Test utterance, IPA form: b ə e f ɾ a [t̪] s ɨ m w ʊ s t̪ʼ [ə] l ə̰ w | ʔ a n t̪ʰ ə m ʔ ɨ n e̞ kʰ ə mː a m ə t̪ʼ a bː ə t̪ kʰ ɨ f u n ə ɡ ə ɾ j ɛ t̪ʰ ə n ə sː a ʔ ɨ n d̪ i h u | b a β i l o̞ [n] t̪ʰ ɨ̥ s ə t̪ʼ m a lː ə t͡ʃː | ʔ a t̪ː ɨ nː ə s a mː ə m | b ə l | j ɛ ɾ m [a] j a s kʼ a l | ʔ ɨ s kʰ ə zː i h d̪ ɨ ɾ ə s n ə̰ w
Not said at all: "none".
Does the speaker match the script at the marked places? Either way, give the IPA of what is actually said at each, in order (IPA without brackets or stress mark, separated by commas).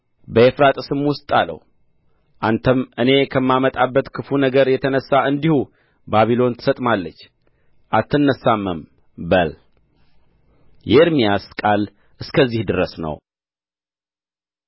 t̪ʼ, a, n, i